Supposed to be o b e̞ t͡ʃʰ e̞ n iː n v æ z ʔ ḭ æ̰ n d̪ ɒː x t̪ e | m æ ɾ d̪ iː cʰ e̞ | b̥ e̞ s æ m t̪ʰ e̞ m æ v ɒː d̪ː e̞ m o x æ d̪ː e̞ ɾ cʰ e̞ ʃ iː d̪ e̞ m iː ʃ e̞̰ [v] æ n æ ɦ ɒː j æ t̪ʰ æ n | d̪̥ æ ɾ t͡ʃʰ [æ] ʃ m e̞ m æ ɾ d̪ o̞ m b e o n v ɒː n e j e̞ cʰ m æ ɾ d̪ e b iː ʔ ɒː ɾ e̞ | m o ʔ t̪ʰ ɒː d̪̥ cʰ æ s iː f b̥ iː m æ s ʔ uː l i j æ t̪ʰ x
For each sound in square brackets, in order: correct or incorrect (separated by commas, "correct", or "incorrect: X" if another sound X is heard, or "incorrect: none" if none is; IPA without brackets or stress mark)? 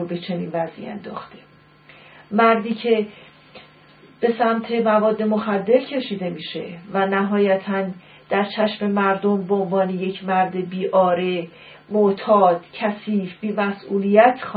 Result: correct, correct